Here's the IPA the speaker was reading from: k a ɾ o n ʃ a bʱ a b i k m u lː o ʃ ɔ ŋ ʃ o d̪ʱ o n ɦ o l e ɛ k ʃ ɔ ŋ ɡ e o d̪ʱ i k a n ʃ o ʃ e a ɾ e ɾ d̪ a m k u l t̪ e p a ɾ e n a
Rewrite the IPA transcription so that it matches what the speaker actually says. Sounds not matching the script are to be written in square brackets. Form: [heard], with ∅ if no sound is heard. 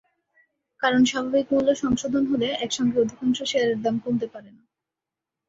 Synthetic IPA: k a ɾ o n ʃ a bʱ a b i k m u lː o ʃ ɔ ŋ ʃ o d̪ʱ o n ɦ o l e ɛ k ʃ ɔ ŋ ɡ e o d̪ʱ i k a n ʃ o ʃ e a ɾ e ɾ d̪ a m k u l t̪ e p a ɾ e n a